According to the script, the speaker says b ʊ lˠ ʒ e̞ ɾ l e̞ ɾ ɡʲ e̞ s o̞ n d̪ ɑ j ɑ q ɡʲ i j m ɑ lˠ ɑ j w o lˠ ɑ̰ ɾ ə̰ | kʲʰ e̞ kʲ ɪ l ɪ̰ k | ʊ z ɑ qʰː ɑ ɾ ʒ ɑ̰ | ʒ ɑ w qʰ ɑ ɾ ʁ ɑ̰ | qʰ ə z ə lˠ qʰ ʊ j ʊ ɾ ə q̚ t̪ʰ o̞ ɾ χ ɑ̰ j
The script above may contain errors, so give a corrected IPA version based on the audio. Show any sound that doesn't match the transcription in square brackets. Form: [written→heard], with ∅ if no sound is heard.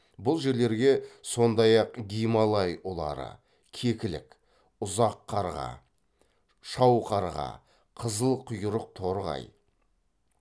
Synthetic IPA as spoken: b ʊ lˠ ʒ e̞ ɾ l e̞ ɾ ɡʲ e̞ s o̞ n d̪ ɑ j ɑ q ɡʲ i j m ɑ lˠ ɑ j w o lˠ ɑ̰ ɾ ə̰ | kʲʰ e̞ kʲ ɪ l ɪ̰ k | ʊ z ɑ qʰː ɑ ɾ [ʒ→ʁ] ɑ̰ | [ʒ→ʃ] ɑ w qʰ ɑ ɾ ʁ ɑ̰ | qʰ ə z ə lˠ qʰ ʊ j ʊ ɾ ə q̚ t̪ʰ o̞ ɾ [χ→ʁ] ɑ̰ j